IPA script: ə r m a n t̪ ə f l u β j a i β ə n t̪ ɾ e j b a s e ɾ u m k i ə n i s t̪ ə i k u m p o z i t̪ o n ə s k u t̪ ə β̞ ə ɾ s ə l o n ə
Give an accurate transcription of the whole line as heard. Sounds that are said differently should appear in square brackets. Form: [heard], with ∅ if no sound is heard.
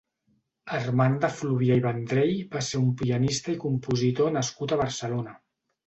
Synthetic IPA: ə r m a n [d̪] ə f l u β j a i β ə n [d̪] ɾ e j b a s e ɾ u m [p] i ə n i s t̪ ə i k u m p [u] z i t̪ o n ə s k u t̪ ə β̞ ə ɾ s ə l o n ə